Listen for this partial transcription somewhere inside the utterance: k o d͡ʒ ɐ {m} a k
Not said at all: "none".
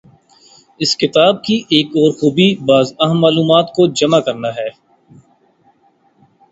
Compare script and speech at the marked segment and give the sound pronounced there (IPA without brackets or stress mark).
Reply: m